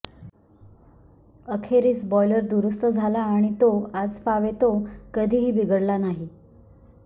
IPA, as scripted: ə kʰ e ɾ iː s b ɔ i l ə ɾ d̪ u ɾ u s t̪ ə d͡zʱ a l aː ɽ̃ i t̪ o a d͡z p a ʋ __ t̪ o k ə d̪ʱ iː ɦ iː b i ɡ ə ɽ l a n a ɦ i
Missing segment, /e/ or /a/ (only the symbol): e